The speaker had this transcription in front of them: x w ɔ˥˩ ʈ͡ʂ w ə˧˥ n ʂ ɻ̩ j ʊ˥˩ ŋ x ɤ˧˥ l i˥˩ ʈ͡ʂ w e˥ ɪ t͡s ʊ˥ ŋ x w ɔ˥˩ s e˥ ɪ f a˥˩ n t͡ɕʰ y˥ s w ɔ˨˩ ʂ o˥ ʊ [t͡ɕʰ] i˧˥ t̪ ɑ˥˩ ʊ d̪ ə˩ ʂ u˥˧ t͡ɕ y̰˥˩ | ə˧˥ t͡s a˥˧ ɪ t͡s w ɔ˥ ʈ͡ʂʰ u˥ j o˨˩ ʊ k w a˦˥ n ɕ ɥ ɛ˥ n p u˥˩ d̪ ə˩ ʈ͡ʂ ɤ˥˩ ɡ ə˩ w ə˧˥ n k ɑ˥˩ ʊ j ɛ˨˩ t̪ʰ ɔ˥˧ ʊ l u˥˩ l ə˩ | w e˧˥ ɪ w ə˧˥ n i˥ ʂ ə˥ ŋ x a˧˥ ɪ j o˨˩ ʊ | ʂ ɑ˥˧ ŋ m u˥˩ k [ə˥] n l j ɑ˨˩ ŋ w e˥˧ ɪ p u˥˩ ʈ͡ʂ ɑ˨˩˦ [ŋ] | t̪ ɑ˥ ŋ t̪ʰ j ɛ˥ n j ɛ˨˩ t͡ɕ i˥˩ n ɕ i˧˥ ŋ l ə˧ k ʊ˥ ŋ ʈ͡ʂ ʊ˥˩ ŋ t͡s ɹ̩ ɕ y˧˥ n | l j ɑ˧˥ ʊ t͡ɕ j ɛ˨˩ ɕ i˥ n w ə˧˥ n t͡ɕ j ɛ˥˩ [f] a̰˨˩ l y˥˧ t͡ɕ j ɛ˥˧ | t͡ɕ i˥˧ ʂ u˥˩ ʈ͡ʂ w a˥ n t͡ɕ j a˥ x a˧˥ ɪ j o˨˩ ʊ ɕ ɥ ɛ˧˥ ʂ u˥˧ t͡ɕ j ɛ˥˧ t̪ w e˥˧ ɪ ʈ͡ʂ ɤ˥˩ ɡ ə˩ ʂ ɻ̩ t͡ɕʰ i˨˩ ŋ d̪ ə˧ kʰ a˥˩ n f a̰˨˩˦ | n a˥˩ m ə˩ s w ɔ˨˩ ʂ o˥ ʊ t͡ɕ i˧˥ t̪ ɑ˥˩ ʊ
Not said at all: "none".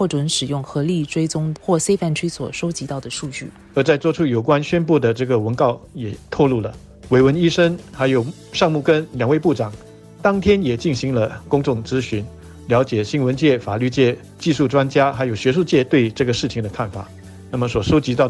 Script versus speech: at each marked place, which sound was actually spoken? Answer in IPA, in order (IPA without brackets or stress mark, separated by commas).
t͡ɕ, ə˥, ŋ, f